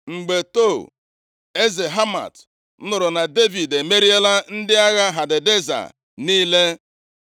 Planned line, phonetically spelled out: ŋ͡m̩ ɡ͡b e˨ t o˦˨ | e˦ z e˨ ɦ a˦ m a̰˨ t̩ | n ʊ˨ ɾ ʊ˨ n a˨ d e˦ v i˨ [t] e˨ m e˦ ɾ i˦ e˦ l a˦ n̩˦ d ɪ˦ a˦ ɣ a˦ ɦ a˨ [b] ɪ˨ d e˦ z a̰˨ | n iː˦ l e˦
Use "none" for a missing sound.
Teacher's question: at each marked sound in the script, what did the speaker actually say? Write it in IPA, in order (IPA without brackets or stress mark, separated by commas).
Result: d, d